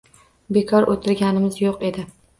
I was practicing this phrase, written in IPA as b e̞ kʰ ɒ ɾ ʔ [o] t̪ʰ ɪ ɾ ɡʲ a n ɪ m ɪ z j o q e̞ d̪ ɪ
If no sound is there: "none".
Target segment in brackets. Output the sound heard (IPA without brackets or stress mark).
o